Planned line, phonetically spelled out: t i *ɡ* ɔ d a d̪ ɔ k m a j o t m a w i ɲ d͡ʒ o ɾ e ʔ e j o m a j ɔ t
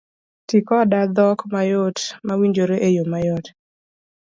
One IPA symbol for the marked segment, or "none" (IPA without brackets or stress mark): k